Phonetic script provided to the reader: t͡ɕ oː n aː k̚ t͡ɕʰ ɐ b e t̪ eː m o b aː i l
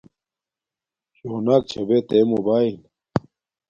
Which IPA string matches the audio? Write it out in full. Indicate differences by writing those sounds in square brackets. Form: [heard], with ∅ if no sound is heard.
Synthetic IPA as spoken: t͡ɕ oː n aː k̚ t͡ɕʰ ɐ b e t̪ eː m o b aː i l